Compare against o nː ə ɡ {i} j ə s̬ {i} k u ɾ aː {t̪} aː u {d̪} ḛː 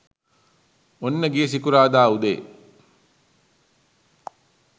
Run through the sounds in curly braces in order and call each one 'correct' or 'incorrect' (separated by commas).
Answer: correct, correct, incorrect, correct